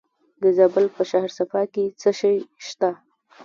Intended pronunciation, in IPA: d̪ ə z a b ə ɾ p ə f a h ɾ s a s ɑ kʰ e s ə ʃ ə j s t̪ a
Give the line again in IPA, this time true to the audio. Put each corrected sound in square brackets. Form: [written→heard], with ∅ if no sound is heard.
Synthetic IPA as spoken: d̪ ə z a b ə [ɾ→l] p ə [f→ʃ] a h ɾ s a [s→f] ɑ [kʰ→k] e [s→t͡s] ə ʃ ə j [s→ʃ] t̪ a